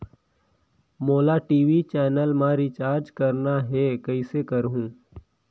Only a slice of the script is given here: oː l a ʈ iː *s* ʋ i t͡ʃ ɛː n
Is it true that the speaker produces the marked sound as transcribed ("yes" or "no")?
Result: no